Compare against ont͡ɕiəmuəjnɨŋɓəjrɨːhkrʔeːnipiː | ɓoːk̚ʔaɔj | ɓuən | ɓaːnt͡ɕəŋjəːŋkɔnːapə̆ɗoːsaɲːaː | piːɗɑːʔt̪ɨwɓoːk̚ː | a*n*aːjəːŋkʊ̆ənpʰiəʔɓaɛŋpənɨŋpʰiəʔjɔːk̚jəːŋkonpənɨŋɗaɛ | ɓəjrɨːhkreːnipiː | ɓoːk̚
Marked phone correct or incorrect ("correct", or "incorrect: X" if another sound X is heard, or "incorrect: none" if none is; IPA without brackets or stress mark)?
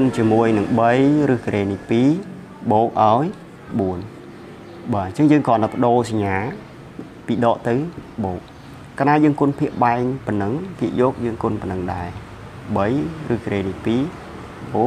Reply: correct